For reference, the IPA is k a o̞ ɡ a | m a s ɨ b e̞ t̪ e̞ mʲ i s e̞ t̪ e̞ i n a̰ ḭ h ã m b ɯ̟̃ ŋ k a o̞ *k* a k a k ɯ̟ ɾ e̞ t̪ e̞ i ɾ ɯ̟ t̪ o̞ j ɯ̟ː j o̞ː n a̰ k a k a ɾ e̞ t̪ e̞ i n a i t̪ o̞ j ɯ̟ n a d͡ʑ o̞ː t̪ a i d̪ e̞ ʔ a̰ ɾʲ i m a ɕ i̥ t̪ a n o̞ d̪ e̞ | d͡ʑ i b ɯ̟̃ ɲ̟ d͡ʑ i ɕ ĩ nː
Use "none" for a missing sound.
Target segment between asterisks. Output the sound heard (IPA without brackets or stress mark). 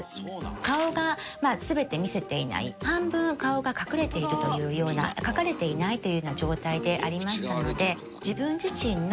ɡ